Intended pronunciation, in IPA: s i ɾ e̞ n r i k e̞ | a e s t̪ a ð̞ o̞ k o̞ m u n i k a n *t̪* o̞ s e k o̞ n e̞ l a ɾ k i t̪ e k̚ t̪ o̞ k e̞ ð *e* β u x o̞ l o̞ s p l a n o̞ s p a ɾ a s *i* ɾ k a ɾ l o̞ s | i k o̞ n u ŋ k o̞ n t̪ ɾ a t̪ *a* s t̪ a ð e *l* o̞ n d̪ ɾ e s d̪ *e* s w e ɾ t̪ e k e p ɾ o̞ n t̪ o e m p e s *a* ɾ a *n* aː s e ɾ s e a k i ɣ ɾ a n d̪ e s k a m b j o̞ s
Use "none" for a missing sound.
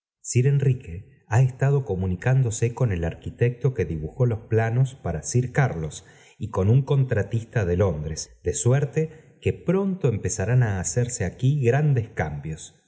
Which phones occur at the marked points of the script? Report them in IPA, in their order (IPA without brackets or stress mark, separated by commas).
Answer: d̪, i, i, i, l, e, a, n